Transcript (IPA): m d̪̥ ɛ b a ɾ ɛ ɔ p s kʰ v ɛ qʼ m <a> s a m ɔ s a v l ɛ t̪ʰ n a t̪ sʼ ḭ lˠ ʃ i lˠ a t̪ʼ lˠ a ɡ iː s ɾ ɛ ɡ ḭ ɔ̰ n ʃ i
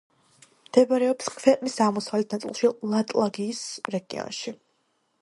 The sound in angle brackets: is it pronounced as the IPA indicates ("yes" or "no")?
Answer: no